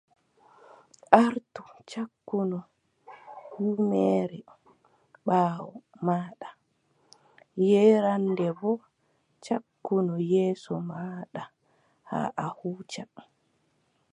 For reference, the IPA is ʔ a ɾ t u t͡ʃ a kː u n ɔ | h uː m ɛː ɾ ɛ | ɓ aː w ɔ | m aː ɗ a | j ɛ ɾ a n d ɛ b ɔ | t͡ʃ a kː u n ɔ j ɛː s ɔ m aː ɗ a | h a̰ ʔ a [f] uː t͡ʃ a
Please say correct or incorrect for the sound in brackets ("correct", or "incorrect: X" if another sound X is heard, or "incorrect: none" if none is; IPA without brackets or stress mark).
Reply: incorrect: h